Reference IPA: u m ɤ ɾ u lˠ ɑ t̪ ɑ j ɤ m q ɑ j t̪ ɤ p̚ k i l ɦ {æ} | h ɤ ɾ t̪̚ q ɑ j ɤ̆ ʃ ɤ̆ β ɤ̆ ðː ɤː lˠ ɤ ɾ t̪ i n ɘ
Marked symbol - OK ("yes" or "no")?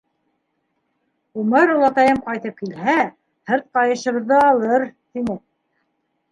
yes